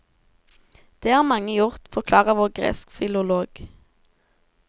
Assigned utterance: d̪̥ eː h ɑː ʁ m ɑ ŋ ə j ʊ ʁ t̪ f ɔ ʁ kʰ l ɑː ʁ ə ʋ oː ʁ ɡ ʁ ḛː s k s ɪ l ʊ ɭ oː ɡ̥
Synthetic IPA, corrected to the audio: d̪̥ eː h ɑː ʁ m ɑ ŋ ə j ʊ ʁ t̪ f ɔ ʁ kʰ l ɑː ʁ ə ʋ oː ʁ ɡ ʁ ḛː s k f ɪ l ʊ l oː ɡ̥